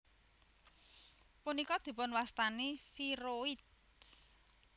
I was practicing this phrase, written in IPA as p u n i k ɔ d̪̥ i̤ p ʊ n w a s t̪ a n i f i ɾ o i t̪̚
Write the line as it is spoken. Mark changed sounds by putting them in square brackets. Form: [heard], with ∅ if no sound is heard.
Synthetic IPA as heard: p u n i k ɔ d̪̥ i̤ p ʊ n w a s t̪ a n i f i ɾ o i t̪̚